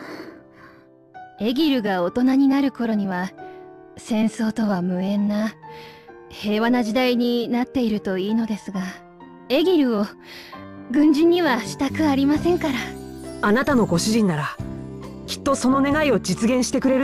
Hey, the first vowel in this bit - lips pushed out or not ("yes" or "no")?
no